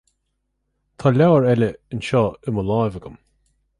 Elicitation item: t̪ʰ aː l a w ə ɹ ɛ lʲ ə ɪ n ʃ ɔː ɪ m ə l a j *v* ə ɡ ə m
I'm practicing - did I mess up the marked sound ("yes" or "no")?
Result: no